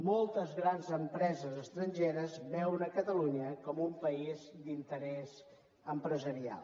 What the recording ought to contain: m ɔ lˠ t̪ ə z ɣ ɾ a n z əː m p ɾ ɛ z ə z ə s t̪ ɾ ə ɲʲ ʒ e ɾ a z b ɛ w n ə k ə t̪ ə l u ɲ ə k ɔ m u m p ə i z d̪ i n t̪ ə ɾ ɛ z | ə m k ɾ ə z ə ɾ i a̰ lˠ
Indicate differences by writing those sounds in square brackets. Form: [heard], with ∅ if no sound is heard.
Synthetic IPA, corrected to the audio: m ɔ lˠ t̪ ə z ɣ ɾ a n z [ə] m p ɾ ɛ z ə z ə s t̪ ɾ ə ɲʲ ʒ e ɾ [ə] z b ɛ w n ə k ə t̪ ə l u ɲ ə k ɔ m u m p ə i z d̪ i n t̪ ə ɾ ɛ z | ə m [p] ɾ ə z ə ɾ i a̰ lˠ